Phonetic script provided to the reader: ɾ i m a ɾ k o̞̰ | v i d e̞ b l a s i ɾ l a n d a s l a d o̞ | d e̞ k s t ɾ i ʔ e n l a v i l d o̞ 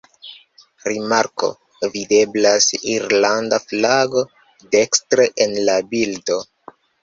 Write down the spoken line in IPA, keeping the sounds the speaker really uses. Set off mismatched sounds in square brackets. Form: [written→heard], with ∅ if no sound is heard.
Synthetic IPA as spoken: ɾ i m a ɾ k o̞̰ | v i d e̞ b l a s i ɾ l a n d a [s→f] l a [d→ɡ] o̞ | d e̞ k s t ɾ [i→e] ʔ e n l a [v→b] i l d o̞

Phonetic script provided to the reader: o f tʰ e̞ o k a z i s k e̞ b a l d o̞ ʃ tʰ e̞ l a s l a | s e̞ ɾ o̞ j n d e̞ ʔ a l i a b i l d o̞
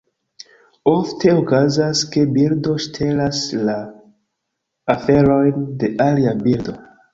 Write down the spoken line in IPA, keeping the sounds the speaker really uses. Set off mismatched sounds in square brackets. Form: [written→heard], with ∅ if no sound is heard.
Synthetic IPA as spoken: o f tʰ e̞ o k a z [i→a] s k e̞ b [a→i] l d o̞ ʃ tʰ e̞ l a s l a | [s→f] e̞ ɾ o̞ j n d e̞ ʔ a l i a b i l d o̞

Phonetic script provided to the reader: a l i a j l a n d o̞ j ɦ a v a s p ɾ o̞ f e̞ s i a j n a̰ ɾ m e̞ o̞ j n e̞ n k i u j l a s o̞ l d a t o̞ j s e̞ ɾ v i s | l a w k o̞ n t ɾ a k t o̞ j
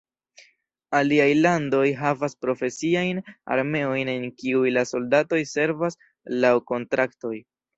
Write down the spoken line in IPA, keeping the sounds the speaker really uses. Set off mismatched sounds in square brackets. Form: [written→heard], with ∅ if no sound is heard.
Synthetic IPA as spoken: a l i a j l a n d o̞ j ɦ a v a s p ɾ o̞ f e̞ s i a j n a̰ ɾ m e̞ o̞ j n e̞ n k i u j l a s o̞ l d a t o̞ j s e̞ ɾ v [i→a] s | l a w k o̞ n t ɾ a k t o̞ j

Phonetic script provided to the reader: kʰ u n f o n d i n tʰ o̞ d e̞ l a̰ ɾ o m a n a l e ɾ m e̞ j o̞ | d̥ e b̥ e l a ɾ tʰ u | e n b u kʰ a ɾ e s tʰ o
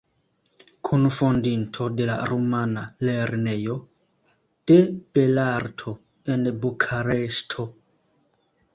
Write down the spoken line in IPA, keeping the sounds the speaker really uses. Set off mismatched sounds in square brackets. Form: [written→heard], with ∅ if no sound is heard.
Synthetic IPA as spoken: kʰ u n f o n d i n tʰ o̞ d e̞ l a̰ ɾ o m a n a l e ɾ [m→n] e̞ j o̞ | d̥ e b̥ e l a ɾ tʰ [u→o] | e n b u kʰ a ɾ e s tʰ o

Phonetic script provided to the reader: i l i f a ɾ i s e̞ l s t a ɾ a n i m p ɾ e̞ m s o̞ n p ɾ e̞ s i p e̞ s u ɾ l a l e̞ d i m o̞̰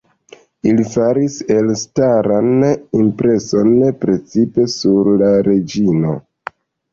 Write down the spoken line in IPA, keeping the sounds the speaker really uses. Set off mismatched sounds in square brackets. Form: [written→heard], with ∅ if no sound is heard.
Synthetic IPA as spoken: i l i f a ɾ i s e̞ l s t a ɾ a n i m p ɾ e̞ [m→∅] s o̞ n p ɾ e̞ [s→t͡s] i p e̞ s u ɾ l a [l→ɾ] e̞ [d→d͡ʒ] i [m→n] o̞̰

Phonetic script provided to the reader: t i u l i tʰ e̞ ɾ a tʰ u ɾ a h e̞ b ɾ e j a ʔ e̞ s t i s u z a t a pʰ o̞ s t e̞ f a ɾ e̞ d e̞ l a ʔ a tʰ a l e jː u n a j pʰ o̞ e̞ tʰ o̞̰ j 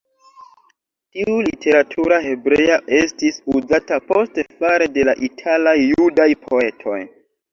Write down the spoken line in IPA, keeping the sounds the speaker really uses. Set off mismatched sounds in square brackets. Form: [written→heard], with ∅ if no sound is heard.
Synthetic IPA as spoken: t i u l i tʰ e̞ ɾ a tʰ u ɾ a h e̞ b ɾ e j a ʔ e̞ s t i s u z a t a [pʰ→p] o̞ s t e̞ f a ɾ e̞ d e̞ l a ʔ [a→i] tʰ a l [e→a] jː u [n→d] a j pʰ o̞ e̞ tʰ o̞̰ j

